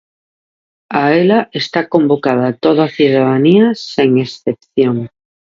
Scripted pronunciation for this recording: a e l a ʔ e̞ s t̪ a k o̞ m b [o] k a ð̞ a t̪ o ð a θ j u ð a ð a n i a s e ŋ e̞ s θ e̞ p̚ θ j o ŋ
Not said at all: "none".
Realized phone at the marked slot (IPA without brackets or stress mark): o